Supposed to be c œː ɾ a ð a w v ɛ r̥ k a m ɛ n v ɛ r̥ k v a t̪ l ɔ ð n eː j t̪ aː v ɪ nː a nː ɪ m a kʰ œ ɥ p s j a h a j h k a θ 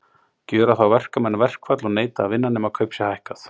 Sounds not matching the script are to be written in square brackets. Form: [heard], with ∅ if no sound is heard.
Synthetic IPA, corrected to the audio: c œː ɾ a [θ] a w v ɛ r̥ k a m ɛ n v ɛ r̥ k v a t̪ l ɔ [ɣ] n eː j t̪ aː v ɪ nː a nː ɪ m a kʰ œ ɥ p s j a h a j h k a θ